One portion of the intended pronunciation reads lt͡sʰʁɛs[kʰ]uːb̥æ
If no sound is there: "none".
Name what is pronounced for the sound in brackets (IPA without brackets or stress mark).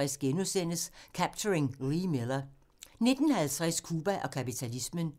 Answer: kʰ